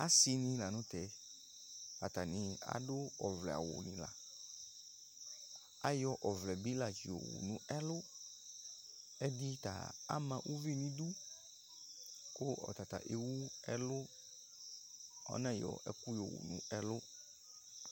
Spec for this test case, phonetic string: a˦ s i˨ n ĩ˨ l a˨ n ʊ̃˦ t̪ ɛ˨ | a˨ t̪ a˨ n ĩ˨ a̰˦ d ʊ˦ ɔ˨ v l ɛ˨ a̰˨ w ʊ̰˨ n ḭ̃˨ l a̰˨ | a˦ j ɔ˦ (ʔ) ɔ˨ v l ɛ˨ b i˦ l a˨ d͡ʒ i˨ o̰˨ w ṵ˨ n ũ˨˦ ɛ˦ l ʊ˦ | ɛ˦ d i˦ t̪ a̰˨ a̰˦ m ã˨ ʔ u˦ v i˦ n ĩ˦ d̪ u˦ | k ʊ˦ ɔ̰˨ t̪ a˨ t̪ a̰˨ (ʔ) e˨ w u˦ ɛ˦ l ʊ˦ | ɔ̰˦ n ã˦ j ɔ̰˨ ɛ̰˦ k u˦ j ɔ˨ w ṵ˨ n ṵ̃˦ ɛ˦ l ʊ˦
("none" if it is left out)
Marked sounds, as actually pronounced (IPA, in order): ʔ, ʔ

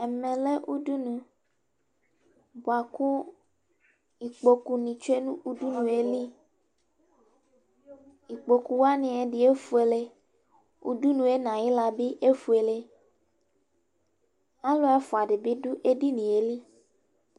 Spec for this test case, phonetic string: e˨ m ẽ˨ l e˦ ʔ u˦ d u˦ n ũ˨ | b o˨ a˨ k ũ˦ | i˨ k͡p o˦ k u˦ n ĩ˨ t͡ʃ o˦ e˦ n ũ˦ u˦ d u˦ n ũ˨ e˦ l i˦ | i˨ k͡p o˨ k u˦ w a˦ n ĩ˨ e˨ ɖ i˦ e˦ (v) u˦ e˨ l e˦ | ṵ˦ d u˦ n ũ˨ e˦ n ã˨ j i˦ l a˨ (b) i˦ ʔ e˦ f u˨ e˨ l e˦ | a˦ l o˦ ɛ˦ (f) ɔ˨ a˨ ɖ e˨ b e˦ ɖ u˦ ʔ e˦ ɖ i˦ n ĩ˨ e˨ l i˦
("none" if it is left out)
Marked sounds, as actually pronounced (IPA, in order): f, b, f

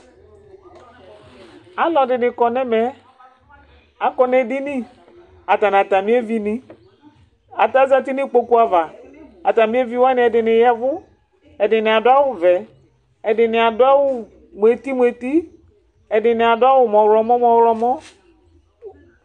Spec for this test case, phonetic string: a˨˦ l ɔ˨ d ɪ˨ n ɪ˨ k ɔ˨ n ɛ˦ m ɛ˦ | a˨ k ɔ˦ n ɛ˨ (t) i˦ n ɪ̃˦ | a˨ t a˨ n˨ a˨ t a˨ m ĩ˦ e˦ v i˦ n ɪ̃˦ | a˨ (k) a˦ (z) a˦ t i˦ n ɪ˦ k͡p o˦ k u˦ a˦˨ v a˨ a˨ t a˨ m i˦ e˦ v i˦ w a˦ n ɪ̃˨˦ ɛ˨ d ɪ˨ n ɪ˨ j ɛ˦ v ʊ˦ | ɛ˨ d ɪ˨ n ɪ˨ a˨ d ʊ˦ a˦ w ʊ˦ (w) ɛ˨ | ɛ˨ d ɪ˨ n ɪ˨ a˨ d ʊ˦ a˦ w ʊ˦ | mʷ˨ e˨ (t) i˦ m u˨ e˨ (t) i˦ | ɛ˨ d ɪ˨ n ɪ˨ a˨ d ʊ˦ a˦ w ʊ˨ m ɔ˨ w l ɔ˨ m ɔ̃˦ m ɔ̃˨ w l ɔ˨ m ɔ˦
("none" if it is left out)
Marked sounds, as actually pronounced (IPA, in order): d, t, z, v, t, t

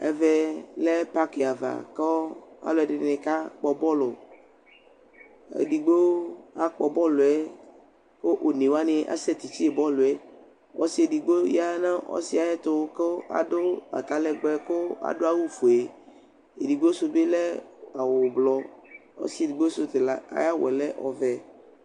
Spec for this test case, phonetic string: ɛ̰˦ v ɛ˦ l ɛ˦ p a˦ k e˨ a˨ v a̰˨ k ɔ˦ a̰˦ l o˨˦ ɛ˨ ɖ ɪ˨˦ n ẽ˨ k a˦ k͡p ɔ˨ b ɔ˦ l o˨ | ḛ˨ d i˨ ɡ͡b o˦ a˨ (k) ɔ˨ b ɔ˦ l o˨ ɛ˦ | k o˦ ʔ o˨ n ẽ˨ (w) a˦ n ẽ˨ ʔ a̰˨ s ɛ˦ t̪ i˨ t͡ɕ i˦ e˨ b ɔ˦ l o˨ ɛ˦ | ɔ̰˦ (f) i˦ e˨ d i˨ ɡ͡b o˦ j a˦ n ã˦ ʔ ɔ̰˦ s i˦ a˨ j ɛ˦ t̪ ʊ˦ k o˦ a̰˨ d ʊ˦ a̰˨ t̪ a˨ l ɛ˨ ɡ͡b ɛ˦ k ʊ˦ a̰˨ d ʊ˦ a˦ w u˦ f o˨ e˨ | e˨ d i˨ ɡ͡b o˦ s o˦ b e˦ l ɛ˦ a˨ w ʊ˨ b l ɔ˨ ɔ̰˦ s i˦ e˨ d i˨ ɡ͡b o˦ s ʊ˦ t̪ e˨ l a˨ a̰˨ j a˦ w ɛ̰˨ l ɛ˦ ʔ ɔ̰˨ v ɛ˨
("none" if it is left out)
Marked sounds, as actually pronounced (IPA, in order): k͡p, w, s

